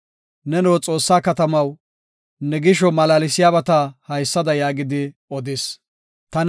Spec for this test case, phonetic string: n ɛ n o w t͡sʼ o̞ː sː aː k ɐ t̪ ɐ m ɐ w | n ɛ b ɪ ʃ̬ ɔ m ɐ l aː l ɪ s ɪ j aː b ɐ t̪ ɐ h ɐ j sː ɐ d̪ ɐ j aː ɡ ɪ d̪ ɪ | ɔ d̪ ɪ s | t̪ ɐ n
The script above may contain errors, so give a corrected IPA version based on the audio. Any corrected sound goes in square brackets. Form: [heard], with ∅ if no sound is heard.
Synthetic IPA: n ɛ n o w t͡sʼ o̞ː sː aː k ɐ t̪ ɐ m ɐ w | n ɛ [ɡ] ɪ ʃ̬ ɔ m ɐ l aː l ɪ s ɪ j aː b ɐ t̪ ɐ h ɐ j sː ɐ d̪ ɐ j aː ɡ ɪ d̪ ɪ | ɔ d̪ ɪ s | t̪ ɐ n

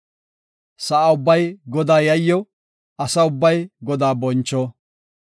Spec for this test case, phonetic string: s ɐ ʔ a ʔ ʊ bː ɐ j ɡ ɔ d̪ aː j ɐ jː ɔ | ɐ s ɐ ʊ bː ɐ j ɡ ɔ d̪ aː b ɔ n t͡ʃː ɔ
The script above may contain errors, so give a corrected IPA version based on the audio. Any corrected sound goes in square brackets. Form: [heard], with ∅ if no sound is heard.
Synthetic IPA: s ɐ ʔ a [∅] ʊ bː ɐ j ɡ ɔ d̪ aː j ɐ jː ɔ | ɐ s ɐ ʊ bː ɐ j ɡ ɔ d̪ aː b ɔ n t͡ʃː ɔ

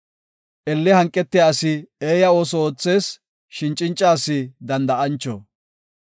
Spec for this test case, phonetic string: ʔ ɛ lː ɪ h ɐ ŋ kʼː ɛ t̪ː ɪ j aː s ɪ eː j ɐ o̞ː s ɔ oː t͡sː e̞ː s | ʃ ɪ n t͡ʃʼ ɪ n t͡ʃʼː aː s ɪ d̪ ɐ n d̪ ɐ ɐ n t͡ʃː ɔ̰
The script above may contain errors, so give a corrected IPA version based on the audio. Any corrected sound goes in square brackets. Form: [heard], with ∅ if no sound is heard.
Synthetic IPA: ʔ ɛ lː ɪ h ɐ ŋ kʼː ɛ t̪ː ɪ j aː s ɪ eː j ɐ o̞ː s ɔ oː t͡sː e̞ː s | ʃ ɪ n t͡ʃʼ ɪ n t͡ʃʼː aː s ɪ d̪ ɐ n d̪ ɐ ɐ n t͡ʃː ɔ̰

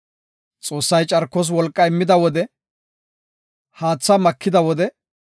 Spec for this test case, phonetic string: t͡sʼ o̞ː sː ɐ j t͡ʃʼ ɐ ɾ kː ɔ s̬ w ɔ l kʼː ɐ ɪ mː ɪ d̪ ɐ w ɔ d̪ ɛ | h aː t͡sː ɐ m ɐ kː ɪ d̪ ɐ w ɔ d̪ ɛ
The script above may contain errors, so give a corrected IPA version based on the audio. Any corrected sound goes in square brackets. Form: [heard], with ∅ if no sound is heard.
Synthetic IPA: t͡sʼ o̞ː sː ɐ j t͡ʃʼ ɐ ɾ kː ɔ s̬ w ɔ l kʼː ɐ ɪ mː ɪ d̪ ɐ w ɔ d̪ ɛ | h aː t͡sː ɐ m ɐ kː ɪ d̪ ɐ w ɔ d̪ ɛ

